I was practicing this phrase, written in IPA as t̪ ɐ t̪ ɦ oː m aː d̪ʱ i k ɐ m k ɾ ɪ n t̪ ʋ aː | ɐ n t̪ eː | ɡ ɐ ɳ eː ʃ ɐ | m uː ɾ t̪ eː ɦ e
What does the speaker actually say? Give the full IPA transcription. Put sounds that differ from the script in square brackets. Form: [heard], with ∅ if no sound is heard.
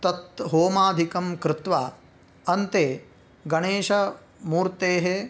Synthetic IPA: t̪ ɐ t̪ ɦ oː m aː d̪ʱ i k ɐ m k ɾ ɪ [∅] t̪ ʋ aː | ɐ n t̪ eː | ɡ ɐ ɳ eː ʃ ɐ | m uː ɾ t̪ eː ɦ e